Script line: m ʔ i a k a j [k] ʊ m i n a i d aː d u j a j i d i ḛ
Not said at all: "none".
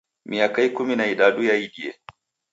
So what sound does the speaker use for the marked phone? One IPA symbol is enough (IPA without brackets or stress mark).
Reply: k